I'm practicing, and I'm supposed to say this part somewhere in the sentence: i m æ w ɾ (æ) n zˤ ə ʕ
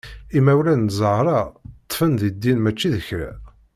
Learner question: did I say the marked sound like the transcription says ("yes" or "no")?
yes